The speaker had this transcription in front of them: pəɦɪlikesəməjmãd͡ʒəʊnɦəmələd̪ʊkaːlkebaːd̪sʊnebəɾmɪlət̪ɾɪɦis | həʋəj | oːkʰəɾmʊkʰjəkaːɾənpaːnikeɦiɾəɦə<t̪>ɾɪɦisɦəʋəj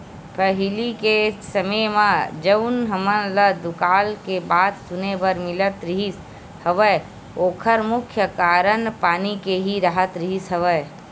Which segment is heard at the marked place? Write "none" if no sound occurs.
t̪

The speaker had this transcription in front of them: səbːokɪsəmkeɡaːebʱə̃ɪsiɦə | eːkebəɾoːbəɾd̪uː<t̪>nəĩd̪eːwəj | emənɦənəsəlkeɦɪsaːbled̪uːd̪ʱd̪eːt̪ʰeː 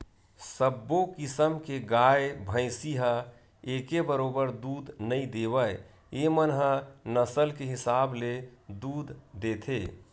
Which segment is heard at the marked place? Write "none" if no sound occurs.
d̪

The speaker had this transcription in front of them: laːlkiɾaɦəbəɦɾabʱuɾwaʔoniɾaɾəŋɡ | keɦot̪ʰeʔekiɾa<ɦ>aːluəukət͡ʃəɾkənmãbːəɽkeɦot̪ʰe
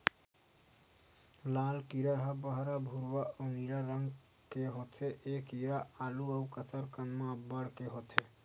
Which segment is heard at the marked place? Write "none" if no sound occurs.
none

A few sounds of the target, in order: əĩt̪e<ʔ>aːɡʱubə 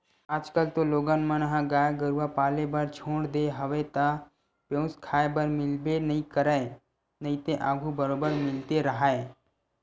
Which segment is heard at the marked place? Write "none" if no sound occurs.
ʔ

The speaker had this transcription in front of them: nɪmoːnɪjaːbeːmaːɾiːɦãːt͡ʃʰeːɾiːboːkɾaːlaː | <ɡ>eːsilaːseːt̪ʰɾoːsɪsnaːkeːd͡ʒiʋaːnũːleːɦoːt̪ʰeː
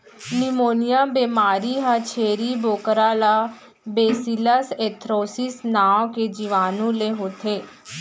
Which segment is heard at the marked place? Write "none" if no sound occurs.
b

